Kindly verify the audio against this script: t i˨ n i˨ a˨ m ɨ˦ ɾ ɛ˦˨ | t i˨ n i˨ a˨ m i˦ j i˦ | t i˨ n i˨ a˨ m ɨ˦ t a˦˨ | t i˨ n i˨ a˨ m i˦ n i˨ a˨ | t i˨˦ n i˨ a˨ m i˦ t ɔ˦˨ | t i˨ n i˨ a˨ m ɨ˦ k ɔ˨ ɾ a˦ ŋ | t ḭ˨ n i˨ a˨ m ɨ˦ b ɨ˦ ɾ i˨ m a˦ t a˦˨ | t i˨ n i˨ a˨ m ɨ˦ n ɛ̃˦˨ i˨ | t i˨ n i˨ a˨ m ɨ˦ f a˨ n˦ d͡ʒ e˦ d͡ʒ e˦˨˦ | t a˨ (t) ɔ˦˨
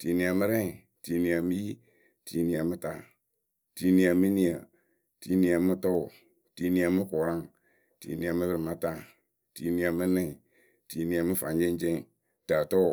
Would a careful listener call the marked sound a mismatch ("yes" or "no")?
no